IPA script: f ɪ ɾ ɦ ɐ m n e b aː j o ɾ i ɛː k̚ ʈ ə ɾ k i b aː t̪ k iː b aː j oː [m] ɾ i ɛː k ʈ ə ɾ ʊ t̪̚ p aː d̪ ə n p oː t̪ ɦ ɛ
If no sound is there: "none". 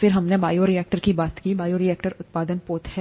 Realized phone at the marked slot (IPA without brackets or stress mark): none